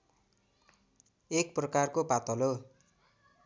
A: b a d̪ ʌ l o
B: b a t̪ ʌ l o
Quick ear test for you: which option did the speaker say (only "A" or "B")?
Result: B